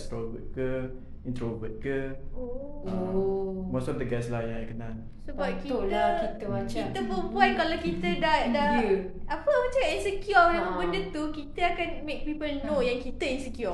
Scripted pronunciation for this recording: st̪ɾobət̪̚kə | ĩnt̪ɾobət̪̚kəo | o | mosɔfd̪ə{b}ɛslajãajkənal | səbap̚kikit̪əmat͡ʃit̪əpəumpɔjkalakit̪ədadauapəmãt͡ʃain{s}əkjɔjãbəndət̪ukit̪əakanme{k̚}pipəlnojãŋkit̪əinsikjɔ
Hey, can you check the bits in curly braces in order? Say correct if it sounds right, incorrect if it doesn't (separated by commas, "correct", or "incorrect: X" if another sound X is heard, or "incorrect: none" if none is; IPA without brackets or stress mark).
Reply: incorrect: ɡ, correct, correct